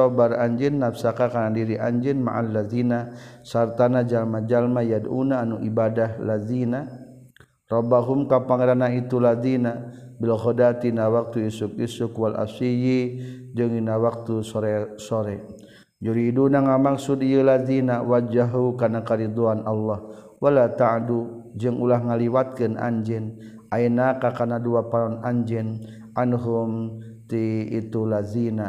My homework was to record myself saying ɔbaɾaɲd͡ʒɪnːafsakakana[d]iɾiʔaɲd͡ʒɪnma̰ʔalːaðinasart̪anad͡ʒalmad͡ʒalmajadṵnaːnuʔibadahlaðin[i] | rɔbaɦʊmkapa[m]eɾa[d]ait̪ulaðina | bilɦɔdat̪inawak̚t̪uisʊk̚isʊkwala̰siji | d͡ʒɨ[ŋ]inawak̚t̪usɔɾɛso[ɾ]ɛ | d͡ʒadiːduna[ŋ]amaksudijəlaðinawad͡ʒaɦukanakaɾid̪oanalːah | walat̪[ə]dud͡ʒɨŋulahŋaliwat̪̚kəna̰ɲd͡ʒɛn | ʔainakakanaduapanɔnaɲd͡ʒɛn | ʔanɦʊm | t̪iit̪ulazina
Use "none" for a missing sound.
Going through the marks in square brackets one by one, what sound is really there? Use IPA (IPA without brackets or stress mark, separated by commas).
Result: d, a, ŋ, n, ŋ, ɾ, ŋ, a